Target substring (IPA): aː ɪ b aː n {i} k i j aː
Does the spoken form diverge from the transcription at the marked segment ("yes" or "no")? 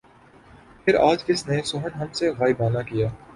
yes